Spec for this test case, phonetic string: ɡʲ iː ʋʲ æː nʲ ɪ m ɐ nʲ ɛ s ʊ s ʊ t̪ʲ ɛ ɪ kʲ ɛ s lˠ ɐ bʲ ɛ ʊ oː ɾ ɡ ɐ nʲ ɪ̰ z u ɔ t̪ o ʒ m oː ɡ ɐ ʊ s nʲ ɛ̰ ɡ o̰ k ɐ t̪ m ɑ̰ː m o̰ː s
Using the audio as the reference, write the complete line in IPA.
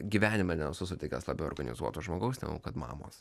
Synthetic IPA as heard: ɡʲ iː ʋʲ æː nʲ ɪ m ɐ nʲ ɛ s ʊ s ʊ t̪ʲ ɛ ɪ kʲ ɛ s lˠ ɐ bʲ ɛ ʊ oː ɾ ɡ ɐ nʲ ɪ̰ z u ɔ t̪ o ʒ m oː ɡ ɐ ʊ s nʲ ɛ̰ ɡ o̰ k ɐ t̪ m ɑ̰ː m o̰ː s